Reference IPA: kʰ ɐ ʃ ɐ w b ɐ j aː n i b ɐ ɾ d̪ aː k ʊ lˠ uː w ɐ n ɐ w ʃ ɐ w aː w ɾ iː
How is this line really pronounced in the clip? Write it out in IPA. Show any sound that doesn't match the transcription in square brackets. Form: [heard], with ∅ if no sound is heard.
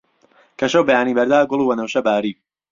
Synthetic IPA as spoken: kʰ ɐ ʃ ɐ w b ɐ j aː n i b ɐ ɾ d̪ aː [ɡ] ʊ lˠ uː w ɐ n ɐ w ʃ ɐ [b] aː [∅] ɾ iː